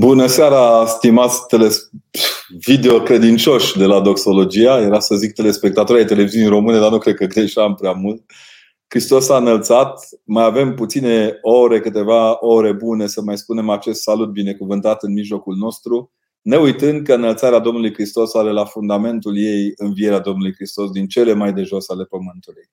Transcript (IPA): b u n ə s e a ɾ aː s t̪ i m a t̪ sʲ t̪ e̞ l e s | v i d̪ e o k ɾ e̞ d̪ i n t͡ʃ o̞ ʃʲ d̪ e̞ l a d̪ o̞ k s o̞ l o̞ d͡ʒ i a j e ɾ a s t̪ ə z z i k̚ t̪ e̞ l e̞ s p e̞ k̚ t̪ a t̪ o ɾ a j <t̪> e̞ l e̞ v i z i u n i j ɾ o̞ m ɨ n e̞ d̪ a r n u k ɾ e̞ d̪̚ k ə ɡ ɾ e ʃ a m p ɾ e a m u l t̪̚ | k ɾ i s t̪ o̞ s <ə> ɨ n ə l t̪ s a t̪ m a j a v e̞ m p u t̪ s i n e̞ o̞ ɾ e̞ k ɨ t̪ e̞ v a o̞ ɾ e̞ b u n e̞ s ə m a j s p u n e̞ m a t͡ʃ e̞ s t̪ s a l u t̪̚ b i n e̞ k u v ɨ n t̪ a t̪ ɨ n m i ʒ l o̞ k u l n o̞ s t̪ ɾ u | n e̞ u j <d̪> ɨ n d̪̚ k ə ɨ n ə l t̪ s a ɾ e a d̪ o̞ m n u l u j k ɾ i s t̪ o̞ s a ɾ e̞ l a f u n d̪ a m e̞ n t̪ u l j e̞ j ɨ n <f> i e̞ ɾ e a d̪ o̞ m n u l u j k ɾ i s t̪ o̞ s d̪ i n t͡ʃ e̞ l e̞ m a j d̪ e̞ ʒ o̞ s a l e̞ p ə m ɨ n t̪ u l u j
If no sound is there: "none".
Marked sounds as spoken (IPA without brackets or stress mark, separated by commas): t̪, a, t̪, v